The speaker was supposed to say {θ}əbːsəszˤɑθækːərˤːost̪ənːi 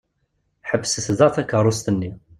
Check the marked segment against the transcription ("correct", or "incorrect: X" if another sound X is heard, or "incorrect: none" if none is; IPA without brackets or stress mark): incorrect: ħ